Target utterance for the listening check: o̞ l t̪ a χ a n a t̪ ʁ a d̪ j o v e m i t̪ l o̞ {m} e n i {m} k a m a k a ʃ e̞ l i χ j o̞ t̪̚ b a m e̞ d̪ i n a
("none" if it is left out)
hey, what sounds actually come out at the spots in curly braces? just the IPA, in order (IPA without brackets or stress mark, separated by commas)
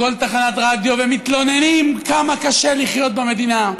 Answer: n, m